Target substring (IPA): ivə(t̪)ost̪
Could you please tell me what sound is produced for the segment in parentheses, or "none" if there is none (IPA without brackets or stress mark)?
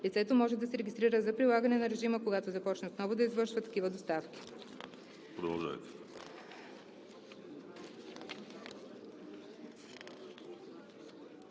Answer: d̪